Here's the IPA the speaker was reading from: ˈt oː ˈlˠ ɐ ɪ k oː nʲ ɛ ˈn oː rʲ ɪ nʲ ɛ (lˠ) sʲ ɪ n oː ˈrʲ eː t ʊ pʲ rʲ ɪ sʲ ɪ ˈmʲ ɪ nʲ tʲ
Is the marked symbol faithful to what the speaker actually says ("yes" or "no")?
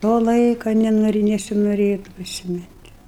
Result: no